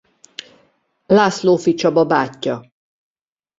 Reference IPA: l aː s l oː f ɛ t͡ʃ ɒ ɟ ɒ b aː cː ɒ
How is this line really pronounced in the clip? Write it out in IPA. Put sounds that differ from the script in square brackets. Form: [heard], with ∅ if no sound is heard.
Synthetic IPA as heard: l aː s l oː f [i] t͡ʃ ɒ [b] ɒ b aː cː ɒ

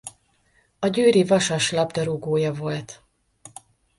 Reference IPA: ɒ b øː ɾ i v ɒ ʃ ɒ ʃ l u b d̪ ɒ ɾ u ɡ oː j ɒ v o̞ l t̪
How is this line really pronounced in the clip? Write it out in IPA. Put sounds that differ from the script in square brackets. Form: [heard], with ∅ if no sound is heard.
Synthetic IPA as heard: ɒ [ɟ] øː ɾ i v ɒ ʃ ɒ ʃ l [ɒ] b d̪ ɒ ɾ u ɡ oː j ɒ v o̞ l t̪

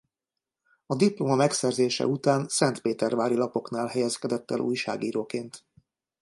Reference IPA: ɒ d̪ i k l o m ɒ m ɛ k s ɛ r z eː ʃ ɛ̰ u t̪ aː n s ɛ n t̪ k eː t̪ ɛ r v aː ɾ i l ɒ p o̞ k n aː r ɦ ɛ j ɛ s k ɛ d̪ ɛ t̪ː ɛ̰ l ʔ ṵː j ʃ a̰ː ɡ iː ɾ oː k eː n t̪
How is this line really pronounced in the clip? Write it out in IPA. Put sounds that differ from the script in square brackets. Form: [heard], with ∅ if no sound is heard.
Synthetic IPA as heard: ɒ d̪ i [p] l o m ɒ m ɛ k s ɛ r z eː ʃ ɛ̰ u t̪ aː n s ɛ n t̪ [p] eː t̪ ɛ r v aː ɾ i l ɒ p o̞ k n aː [l] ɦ ɛ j ɛ s k ɛ d̪ ɛ t̪ː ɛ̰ l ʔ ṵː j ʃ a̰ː ɡ iː ɾ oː k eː n t̪

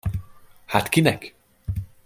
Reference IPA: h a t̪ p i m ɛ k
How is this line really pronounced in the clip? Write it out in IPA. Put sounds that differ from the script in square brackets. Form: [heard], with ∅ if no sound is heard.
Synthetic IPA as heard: h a t̪ [k] i [n] ɛ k

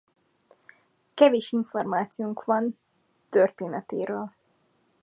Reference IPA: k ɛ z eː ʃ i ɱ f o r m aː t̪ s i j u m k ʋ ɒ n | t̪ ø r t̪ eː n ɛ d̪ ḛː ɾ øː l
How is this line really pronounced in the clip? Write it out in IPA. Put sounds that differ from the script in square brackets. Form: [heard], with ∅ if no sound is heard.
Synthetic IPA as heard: k ɛ [v] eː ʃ i ɱ f o r m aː t̪ s i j u [ŋ] k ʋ ɒ n | t̪ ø r t̪ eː n ɛ [t̪] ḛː ɾ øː l

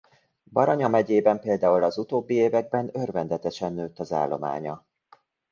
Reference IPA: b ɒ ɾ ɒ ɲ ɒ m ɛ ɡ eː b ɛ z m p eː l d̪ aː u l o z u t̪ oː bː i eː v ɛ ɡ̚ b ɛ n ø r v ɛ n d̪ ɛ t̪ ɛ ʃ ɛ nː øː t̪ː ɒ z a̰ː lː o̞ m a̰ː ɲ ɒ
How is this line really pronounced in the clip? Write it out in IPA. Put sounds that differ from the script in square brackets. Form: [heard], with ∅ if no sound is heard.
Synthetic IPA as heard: b ɒ ɾ ɒ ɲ ɒ m ɛ [ɟ] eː b ɛ [∅] m p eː l d̪ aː u l [ɒ] z u t̪ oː bː i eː v ɛ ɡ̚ b ɛ n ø r v ɛ n d̪ ɛ t̪ ɛ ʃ ɛ nː øː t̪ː ɒ z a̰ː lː o̞ m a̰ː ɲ ɒ

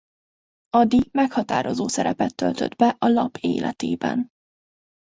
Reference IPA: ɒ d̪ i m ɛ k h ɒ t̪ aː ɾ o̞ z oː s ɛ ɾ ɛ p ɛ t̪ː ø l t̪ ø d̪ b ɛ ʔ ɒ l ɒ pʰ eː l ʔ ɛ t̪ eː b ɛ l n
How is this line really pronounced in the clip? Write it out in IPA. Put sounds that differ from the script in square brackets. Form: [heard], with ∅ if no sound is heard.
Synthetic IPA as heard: ɒ d̪ i m ɛ k h ɒ t̪ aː ɾ o̞ z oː s ɛ ɾ ɛ p ɛ t̪ː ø l t̪ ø d̪ b ɛ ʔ ɒ l ɒ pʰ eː l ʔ ɛ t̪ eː b ɛ [∅] n

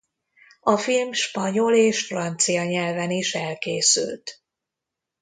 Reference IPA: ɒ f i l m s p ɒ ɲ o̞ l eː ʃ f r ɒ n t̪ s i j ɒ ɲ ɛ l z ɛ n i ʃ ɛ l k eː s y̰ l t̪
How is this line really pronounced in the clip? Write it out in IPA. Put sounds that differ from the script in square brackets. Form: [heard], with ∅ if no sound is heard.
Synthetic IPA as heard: ɒ f i l m [ʃ] p ɒ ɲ o̞ l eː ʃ f r ɒ n t̪ s i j ɒ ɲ ɛ l [v] ɛ n i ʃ ɛ l k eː s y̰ l t̪

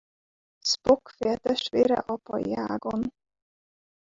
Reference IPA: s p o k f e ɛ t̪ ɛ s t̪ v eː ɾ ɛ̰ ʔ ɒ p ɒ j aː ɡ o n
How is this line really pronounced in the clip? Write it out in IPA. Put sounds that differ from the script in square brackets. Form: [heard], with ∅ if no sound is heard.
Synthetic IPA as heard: s p o k f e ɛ t̪ ɛ [ʃ] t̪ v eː ɾ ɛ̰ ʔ ɒ p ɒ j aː ɡ o n

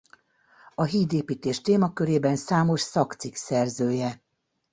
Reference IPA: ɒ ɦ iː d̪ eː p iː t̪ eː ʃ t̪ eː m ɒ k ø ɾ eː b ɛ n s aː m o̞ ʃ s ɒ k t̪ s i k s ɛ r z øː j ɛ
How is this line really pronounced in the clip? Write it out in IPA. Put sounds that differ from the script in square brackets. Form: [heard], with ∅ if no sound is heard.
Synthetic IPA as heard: ɒ ɦ iː d̪ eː p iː t̪ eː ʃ t̪ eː m ɒ k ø ɾ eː b ɛ n s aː m o̞ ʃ s ɒ k t̪ s i k s ɛ r z øː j ɛ

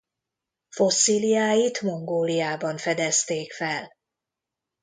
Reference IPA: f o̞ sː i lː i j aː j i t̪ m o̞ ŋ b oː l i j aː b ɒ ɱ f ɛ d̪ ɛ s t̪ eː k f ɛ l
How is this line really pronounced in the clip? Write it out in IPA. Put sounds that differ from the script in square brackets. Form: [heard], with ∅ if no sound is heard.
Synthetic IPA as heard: f o̞ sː i [l] i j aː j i t̪ m o̞ ŋ [ɡ] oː l i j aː b ɒ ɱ f ɛ d̪ ɛ s t̪ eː k f ɛ l

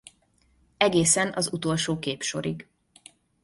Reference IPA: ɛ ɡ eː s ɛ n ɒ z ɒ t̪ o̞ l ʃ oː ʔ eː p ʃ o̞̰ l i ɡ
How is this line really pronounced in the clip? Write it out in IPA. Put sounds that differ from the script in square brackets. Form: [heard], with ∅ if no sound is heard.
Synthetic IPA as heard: ɛ ɡ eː s ɛ n ɒ z [u] t̪ o̞ l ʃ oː [k] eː p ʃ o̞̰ [ɾ] i ɡ

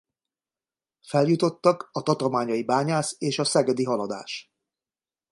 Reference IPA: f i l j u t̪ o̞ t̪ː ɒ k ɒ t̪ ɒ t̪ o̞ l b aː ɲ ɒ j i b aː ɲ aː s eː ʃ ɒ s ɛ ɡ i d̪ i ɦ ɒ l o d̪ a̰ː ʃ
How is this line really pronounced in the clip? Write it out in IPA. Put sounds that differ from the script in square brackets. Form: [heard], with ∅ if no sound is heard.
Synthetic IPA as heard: f [ɛ] l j u t̪ o̞ t̪ː ɒ k ɒ t̪ ɒ t̪ o̞ l [m] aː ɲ ɒ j i b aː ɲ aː s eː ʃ ɒ s ɛ ɡ [ɛ] d̪ i ɦ ɒ l [ɒ] d̪ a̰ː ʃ

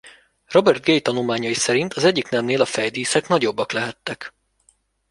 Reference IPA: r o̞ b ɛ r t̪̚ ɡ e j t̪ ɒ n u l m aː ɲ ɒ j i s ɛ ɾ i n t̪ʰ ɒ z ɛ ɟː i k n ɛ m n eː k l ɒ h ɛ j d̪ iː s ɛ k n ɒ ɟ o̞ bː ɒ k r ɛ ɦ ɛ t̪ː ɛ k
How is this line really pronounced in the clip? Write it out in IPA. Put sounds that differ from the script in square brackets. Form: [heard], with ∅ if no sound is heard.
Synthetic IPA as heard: r o̞ b ɛ r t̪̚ ɡ e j t̪ ɒ n u l m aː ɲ ɒ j i s ɛ ɾ i n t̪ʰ ɒ z ɛ ɟː i k n ɛ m n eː [∅] l ɒ [f] ɛ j d̪ iː s ɛ k n ɒ ɟ o̞ bː ɒ k [l] ɛ ɦ ɛ t̪ː ɛ k

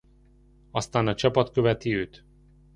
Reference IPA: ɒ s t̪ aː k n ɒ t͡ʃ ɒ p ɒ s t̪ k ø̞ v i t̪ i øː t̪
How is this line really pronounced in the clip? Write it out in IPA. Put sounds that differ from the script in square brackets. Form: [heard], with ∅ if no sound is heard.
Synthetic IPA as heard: ɒ s t̪ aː [∅] n ɒ t͡ʃ ɒ p ɒ [∅] t̪ k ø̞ v [ɛ] t̪ i øː t̪

